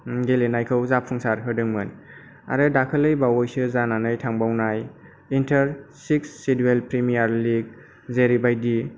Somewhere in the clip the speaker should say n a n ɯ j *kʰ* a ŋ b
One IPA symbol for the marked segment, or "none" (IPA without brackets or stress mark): tʰ